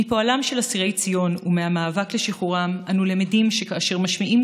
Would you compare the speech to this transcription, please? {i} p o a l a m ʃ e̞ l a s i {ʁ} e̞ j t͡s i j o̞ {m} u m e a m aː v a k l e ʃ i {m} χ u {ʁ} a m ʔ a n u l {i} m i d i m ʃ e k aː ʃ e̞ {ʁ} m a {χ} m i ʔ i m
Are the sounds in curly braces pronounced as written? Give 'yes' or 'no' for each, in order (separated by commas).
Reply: yes, yes, no, no, yes, no, yes, no